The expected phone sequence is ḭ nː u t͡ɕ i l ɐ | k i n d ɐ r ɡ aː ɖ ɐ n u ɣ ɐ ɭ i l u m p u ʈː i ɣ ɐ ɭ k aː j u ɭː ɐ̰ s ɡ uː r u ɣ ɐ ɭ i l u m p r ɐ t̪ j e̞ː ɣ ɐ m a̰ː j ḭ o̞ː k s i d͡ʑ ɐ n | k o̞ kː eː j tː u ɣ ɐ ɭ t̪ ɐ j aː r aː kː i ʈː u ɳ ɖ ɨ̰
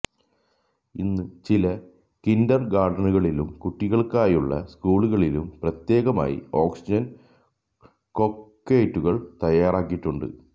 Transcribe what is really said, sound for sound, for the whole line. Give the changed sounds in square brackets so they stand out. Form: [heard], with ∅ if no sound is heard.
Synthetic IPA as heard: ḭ nː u t͡ɕ i l ɐ | k i n d ɐ r ɡ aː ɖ ɐ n u ɣ ɐ ɭ i l u m [k] u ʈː i ɣ ɐ ɭ k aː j u ɭː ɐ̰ s [k] uː [ɭ] u ɣ ɐ ɭ i l u m p r ɐ t̪ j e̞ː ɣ ɐ m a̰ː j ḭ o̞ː k s i d͡ʑ ɐ n | k o̞ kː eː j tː u ɣ ɐ ɭ t̪ ɐ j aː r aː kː i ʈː u ɳ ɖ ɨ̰